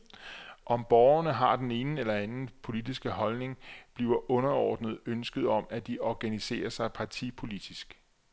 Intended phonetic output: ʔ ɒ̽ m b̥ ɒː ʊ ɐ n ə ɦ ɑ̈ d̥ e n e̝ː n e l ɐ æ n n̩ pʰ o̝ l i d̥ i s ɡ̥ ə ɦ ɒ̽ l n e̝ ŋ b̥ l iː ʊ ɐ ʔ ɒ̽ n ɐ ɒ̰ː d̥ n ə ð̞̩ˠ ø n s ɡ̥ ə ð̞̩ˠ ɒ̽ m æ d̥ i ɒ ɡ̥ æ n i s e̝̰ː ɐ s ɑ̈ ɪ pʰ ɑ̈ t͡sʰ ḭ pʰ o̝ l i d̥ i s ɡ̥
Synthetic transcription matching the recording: ʔ ɒ̽ m b̥ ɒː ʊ ɐ n ə ɦ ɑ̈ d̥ e n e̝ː n e l ɐ æ n n̩ pʰ o̝ l i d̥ i s ɡ̥ ə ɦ ɒ̽ l n e̝ ŋ b̥ l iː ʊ ɐ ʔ ɔ̽ n ɐ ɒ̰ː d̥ n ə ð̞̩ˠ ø n s ɡ̥ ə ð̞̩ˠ ɒ̽ m æ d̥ i ɒ ɡ̥ æ n i s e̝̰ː ɐ s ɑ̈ ɪ pʰ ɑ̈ t͡sʰ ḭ pʰ o̝ l i d̥ i s ɡ̥